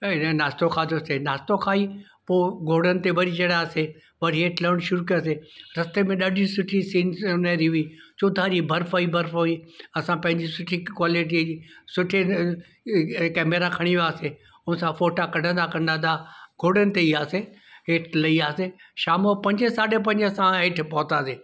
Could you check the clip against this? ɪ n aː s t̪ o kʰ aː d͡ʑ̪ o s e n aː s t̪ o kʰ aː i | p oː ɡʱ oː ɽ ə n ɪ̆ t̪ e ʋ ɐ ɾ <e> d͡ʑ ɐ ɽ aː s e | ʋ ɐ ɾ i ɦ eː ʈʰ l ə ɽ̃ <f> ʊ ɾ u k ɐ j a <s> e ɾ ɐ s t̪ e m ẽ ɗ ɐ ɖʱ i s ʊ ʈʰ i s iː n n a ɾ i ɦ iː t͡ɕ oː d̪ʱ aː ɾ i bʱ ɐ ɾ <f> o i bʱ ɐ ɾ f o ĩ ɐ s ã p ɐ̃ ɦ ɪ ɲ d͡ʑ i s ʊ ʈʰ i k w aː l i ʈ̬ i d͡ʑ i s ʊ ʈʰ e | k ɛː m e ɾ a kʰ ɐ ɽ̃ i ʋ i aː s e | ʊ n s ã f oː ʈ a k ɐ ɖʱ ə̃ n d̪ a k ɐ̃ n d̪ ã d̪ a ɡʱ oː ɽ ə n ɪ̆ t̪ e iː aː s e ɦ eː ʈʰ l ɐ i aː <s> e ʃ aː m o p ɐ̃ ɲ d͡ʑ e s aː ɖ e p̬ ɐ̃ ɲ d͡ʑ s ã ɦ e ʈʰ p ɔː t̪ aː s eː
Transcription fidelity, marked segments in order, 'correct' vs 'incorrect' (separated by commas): incorrect, incorrect, correct, correct, correct